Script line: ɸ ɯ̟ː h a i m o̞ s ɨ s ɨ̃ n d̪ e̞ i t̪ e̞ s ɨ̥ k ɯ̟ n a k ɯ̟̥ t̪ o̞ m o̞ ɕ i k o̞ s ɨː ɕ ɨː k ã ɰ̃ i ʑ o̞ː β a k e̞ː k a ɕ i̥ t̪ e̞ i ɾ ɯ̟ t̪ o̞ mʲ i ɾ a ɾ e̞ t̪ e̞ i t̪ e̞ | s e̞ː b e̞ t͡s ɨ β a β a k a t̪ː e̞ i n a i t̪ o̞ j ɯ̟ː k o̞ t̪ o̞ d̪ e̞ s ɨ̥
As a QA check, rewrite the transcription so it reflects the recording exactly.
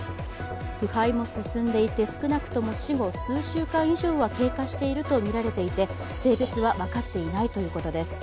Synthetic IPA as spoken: ɸ ɯ̟ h a i m o̞ s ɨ s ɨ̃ n d̪ e̞ i t̪ e̞ s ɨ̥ k ɯ̟ n a k ɯ̟̥ t̪ o̞ m o̞ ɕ i ɡ o̞ s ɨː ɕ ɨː k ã ɰ̃ i ʑ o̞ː β a k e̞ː k a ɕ i̥ t̪ e̞ i ɾ ɯ̟ t̪ o̞ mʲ i ɾ a ɾ e̞ t̪ e̞ i t̪ e̞ | s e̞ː b e̞ t͡s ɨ β a β a k a t̪ː e̞ i n a i t̪ o̞ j ɯ̟ː k o̞ t̪ o̞ d̪ e̞ s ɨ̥